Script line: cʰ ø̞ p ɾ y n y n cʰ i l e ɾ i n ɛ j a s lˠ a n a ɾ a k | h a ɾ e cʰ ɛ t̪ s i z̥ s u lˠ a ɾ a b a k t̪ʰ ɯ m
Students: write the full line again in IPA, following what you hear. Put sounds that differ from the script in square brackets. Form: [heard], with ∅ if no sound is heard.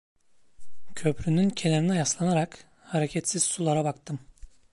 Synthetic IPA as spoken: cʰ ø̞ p ɾ y n y n cʰ [e] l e ɾ i n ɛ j a s lˠ a n a ɾ a k | h a ɾ e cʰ ɛ t̪ s i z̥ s u lˠ a ɾ a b a k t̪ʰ ɯ m